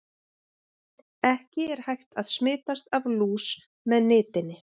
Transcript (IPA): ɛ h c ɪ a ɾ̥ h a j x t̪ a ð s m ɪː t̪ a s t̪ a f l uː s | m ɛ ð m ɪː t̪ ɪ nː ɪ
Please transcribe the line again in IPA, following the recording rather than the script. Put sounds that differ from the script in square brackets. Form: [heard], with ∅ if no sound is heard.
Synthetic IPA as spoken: ɛ h c ɪ [ɛ] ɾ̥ h a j x t̪ a ð s m ɪː t̪ a s t̪ a [v] l uː s | m ɛ ð [n] ɪː t̪ ɪ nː ɪ